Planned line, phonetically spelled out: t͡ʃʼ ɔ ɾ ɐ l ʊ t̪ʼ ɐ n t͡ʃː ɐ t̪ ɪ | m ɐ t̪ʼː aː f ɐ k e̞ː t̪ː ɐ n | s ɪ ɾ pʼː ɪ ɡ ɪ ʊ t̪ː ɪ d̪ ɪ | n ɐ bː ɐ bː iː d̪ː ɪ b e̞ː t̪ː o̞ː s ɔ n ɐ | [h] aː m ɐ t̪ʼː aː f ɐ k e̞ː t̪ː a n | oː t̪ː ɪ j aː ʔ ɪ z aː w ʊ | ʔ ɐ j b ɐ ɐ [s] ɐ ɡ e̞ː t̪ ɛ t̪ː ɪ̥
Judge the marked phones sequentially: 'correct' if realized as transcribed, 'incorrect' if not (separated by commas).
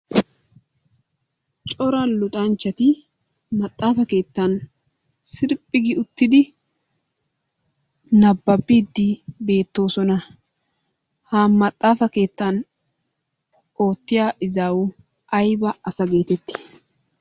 correct, correct